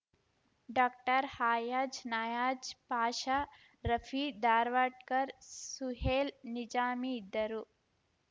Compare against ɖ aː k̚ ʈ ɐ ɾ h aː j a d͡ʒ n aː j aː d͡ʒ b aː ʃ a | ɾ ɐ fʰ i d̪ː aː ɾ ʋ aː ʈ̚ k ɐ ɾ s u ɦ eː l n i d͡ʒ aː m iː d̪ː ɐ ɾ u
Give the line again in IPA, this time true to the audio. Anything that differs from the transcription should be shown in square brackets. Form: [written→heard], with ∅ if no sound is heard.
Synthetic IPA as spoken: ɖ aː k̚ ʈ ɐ ɾ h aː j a d͡ʒ n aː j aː d͡ʒ [b→p] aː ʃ a | ɾ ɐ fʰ i [d̪ː→d̪] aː ɾ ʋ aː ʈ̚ k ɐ ɾ s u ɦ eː l n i d͡ʒ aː m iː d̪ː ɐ ɾ u

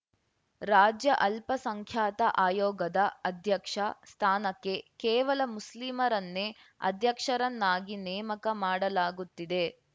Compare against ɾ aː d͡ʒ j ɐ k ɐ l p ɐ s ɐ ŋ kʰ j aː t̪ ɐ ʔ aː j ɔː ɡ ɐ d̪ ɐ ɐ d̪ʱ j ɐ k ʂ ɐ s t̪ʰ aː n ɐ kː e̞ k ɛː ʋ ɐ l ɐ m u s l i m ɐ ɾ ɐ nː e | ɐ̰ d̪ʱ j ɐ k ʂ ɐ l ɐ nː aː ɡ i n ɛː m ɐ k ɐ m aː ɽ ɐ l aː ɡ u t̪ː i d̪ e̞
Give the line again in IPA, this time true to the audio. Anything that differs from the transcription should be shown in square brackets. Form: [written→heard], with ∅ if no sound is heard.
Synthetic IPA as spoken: ɾ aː d͡ʒ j ɐ [k→ʔ] ɐ l p ɐ s ɐ ŋ kʰ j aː t̪ ɐ ʔ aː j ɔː ɡ ɐ d̪ ɐ ɐ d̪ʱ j ɐ k ʂ ɐ s t̪ʰ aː n ɐ kː e̞ k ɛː ʋ ɐ l ɐ m u s l i m ɐ ɾ ɐ nː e | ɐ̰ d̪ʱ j ɐ k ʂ ɐ [l→ɾ] ɐ nː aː ɡ i n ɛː m ɐ k ɐ m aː ɽ ɐ l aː ɡ u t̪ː i d̪ e̞

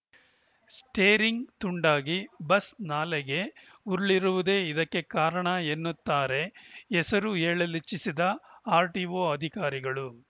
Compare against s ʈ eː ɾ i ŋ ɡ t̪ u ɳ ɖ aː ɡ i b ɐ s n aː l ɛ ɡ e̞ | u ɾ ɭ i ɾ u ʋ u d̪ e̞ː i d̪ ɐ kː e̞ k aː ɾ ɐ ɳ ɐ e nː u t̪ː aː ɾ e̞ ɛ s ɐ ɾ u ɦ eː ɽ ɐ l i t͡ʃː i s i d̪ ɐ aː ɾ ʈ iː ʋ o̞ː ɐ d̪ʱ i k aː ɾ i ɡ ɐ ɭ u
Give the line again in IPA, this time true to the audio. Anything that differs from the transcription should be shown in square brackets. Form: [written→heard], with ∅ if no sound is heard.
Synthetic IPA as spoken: s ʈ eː ɾ i ŋ ɡ t̪ u ɳ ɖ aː ɡ i b ɐ s n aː l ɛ ɡ e̞ | u ɾ ɭ i ɾ u ʋ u d̪ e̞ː i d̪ ɐ kː e̞ k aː ɾ ɐ ɳ ɐ e nː u t̪ː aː ɾ e̞ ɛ s ɐ ɾ u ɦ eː [ɽ→ɭ] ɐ l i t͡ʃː i s i d̪ ɐ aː ɾ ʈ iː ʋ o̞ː ɐ d̪ʱ i k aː ɾ i ɡ ɐ ɭ u

